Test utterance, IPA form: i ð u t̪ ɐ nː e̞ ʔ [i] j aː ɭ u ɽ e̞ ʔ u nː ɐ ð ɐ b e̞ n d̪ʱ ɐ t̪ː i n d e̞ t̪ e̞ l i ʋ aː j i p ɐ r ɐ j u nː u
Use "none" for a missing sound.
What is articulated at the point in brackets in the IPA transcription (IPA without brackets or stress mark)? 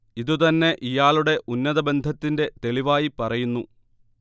i